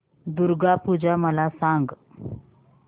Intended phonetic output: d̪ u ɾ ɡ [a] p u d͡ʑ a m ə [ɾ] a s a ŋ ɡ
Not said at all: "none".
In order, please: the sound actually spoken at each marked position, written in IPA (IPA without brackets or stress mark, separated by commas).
a, l